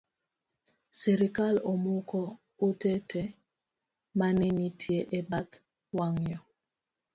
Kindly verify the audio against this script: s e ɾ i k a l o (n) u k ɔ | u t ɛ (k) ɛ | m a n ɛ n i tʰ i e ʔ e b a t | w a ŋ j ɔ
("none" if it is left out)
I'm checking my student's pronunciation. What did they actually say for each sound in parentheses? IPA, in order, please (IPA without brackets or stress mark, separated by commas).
m, t